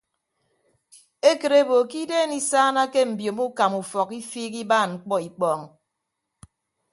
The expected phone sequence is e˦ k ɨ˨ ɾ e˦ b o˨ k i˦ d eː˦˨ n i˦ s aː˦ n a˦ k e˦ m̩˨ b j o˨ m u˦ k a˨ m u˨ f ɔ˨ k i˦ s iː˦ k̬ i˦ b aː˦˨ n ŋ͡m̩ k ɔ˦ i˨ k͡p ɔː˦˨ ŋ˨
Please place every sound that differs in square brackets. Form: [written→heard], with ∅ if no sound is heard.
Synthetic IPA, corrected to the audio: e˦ k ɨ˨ ɾ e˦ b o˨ k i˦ d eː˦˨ n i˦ s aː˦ n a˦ k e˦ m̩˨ b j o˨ m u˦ k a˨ m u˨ f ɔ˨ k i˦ [s→f] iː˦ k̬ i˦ b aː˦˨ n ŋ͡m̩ [k→k͡p] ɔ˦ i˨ k͡p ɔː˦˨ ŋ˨